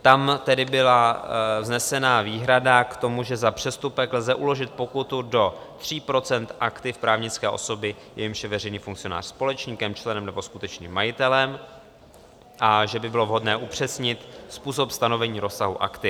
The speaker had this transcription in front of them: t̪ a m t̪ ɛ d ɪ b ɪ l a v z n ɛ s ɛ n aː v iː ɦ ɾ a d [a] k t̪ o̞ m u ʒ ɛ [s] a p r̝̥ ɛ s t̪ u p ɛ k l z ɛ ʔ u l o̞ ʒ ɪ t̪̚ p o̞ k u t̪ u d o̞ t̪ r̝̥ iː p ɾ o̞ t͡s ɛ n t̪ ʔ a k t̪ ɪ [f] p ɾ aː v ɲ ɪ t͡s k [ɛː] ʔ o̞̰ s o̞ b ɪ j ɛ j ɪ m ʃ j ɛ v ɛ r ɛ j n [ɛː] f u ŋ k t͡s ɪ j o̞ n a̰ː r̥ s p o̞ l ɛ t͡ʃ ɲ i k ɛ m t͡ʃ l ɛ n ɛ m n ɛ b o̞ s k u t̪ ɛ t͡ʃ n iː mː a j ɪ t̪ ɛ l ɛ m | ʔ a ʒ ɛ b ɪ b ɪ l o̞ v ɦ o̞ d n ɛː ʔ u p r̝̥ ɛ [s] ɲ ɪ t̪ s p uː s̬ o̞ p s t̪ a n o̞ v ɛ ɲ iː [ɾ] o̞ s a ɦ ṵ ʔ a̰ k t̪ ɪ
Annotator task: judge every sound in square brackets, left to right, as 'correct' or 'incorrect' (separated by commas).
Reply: correct, incorrect, correct, correct, incorrect, correct, correct